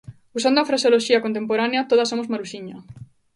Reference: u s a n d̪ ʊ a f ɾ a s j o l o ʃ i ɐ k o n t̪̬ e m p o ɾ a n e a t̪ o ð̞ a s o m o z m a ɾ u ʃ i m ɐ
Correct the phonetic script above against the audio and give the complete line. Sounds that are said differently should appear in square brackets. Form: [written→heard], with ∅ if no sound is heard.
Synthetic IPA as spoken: u s a n d̪ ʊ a f ɾ a s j o l o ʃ i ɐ k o n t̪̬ e m p o ɾ a n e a t̪ o ð̞ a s o m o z m a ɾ u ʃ i [m→ɲ] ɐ